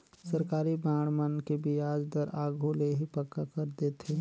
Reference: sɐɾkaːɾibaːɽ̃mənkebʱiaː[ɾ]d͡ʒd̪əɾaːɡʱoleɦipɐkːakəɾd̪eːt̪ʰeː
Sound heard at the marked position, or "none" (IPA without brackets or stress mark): none